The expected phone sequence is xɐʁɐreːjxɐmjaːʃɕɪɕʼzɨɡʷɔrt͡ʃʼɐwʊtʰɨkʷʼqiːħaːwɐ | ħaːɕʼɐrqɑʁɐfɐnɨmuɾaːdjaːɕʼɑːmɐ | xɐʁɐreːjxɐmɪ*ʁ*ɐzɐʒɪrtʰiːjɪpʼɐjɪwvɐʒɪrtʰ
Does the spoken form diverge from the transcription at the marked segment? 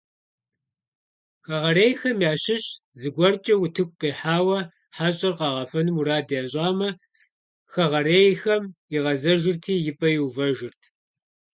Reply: no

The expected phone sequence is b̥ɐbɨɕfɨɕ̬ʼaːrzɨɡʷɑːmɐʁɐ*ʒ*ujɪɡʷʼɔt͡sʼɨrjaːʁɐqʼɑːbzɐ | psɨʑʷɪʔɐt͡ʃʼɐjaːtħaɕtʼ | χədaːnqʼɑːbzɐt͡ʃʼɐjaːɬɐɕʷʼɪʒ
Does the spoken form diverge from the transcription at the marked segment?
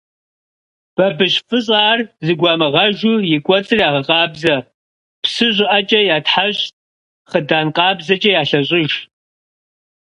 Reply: no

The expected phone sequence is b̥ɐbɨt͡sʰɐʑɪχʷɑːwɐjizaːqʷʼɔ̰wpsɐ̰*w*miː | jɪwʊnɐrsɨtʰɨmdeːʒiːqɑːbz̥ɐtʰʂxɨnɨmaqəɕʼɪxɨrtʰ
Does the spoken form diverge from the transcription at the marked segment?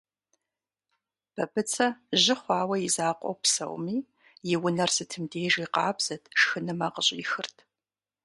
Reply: no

